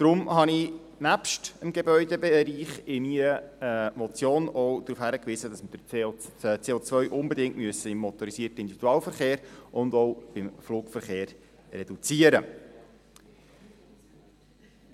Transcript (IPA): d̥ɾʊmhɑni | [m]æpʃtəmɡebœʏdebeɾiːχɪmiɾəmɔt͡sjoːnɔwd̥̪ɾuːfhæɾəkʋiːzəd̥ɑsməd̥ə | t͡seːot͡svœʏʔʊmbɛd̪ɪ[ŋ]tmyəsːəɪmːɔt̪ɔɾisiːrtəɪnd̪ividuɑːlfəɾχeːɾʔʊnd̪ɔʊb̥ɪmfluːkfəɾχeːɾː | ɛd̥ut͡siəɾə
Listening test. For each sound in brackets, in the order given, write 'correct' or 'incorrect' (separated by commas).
incorrect, correct